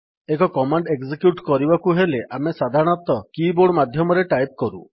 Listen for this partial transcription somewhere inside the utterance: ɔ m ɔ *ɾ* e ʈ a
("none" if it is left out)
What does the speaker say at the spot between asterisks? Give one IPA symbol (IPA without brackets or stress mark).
ɾ